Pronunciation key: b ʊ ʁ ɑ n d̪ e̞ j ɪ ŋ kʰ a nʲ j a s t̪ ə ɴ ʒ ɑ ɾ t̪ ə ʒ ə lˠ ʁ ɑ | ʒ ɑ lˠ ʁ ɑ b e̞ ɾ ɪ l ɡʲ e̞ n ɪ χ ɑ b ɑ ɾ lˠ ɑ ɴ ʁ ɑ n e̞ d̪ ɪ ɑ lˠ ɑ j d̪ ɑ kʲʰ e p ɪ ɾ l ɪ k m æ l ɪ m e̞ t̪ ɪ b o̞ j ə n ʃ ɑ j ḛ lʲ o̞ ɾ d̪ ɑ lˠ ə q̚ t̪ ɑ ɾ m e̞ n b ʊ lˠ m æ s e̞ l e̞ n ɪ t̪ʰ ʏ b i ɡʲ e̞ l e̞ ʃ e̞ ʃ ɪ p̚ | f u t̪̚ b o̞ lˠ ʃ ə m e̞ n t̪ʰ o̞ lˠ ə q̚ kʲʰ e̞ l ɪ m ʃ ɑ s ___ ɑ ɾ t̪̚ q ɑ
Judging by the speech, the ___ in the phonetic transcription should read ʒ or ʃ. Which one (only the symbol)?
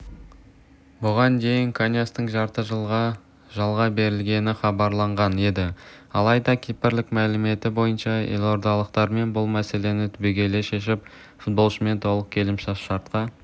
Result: ʃ